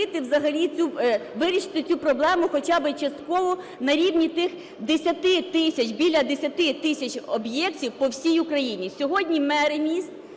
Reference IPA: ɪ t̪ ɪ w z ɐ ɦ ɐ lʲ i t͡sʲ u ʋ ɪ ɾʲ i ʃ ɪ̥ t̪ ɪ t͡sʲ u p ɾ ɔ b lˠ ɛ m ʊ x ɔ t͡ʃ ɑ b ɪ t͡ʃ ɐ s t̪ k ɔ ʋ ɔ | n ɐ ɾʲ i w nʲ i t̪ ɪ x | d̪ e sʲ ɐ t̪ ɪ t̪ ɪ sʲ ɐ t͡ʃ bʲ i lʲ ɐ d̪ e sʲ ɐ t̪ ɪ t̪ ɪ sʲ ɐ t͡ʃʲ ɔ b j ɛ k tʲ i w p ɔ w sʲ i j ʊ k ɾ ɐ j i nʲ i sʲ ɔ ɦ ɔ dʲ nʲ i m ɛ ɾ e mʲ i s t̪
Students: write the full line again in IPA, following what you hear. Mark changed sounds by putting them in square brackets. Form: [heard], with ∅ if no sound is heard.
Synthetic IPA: ɪ t̪ ɪ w z ɐ ɦ ɐ lʲ i t͡sʲ u ʋ ɪ ɾʲ i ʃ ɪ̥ t̪ ɪ t͡sʲ u p ɾ ɔ b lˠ ɛ m ʊ x ɔ t͡ʃ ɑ b ɪ t͡ʃ ɐ s t̪ k ɔ ʋ ɔ | n ɐ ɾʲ i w nʲ i t̪ ɪ x | d̪ e sʲ ɐ t̪ ɪ t̪ ɪ sʲ ɐ t͡ʃ bʲ i lʲ ɐ d̪ e sʲ ɐ t̪ ɪ t̪ ɪ sʲ ɐ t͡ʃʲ ɔ b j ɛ k tʲ i w p ɔ w sʲ i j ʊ k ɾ ɐ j i nʲ i sʲ ɔ ɦ ɔ dʲ nʲ i m ɛ ɾ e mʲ i s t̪